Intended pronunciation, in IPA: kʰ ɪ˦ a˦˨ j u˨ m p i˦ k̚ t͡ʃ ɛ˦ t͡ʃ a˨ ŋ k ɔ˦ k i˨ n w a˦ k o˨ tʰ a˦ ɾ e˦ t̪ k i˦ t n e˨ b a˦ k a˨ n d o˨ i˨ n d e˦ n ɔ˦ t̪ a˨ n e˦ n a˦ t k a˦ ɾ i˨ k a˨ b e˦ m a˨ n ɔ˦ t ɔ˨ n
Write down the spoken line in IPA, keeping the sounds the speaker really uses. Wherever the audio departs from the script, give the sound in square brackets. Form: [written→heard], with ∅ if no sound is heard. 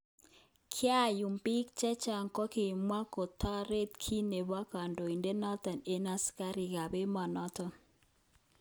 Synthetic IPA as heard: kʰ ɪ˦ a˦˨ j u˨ m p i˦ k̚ t͡ʃ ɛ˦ t͡ʃ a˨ ŋ k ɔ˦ k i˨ [n→m] w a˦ k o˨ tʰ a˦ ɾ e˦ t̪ [k→kʰ] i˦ [t→∅] n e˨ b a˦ k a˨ n d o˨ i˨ n d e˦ n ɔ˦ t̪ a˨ n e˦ n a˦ [t→s] k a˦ ɾ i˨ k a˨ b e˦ m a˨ n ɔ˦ t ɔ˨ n